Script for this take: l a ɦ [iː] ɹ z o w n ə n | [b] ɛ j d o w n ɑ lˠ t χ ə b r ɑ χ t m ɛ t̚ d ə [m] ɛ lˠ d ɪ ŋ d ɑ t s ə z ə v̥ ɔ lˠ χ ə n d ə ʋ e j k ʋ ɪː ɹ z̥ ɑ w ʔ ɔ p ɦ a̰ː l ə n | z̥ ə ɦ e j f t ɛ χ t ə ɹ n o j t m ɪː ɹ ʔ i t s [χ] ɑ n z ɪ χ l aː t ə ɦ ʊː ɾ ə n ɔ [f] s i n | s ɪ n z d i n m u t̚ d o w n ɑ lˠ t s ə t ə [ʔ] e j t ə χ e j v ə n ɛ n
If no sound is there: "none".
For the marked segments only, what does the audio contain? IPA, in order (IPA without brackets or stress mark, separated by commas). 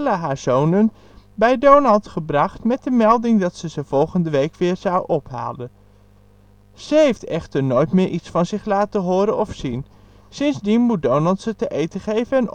aː, b, m, f, f, ʔ